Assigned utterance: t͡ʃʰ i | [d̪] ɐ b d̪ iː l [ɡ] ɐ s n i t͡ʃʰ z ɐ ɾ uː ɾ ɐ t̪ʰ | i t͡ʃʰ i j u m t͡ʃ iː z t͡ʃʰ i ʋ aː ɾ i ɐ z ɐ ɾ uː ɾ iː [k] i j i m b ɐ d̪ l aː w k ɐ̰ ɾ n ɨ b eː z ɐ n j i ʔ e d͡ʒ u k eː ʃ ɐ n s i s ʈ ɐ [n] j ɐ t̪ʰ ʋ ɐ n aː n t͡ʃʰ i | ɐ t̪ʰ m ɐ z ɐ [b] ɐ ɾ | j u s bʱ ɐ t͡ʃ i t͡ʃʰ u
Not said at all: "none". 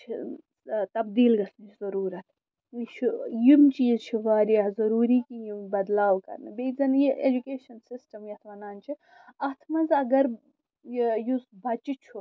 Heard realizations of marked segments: t̪, ɡ, k, m, ɡ

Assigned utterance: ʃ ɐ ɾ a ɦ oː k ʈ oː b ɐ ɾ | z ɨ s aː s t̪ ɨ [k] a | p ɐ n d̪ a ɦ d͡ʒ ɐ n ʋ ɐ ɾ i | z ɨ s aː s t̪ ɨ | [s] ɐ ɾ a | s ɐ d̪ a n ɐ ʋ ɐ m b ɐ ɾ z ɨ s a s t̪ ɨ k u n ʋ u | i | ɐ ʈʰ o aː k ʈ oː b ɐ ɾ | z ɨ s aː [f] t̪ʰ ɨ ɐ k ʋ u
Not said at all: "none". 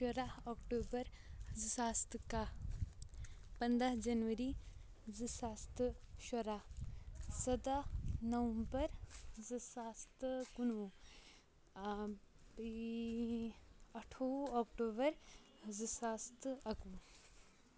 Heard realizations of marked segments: k, ʃ, s

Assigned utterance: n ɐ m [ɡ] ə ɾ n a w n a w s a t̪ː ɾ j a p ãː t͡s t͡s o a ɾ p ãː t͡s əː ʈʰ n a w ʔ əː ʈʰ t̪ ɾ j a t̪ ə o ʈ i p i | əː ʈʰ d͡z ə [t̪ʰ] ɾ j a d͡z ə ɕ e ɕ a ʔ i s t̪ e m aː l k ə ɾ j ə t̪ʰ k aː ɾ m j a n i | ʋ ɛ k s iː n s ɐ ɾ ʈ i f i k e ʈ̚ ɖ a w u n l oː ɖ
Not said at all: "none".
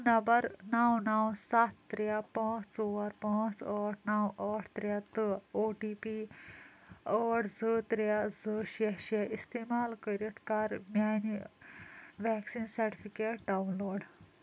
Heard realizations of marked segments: b, t̪

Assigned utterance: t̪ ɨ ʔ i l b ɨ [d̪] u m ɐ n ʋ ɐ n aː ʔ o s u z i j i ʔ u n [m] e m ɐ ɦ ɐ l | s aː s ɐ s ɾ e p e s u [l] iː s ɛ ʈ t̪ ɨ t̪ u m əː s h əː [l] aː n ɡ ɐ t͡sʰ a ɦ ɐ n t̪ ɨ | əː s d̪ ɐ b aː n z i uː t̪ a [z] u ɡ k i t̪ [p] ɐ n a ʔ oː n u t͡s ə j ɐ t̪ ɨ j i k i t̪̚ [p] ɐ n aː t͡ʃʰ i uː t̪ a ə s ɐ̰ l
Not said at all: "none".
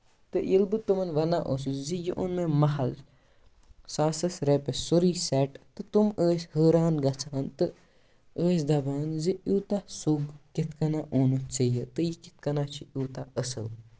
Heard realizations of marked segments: t̪, m, ɾ, ɾ, s, k, k

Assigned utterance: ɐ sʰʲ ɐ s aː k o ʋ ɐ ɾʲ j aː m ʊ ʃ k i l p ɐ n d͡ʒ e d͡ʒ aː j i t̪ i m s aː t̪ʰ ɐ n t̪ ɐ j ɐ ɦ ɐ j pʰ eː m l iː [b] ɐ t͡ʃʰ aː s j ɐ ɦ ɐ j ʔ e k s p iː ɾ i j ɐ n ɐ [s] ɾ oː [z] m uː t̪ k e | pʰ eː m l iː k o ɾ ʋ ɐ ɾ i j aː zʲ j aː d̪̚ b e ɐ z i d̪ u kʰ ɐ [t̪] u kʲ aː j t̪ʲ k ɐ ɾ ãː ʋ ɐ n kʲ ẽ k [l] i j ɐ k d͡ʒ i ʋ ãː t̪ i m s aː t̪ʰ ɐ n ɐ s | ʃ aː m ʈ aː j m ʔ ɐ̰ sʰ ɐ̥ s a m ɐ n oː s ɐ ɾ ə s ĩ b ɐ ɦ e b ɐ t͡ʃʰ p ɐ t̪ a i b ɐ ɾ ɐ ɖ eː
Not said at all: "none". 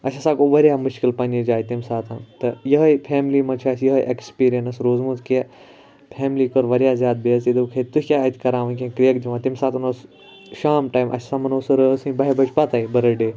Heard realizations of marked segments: m, s, z, t̪, ɾ

